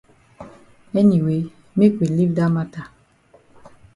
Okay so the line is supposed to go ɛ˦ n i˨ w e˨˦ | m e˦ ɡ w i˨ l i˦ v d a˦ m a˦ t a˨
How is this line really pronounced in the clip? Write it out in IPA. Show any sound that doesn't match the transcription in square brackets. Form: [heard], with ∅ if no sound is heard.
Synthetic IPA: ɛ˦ n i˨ w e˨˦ | m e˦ [k] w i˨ l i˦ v d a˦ m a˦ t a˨